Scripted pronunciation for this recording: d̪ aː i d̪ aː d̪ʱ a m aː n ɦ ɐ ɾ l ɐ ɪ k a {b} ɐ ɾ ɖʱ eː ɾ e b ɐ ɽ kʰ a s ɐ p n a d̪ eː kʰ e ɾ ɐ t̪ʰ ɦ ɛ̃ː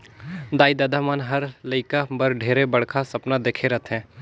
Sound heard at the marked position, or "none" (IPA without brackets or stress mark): b